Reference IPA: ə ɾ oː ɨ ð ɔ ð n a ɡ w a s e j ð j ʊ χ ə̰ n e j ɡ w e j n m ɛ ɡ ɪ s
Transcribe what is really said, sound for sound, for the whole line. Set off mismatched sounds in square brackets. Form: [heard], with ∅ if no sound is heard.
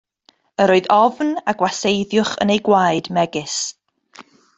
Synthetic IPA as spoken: ə ɾ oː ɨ ð ɔ [v] n a ɡ w a s e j ð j ʊ χ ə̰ n e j ɡ w [a] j [d] m ɛ ɡ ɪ s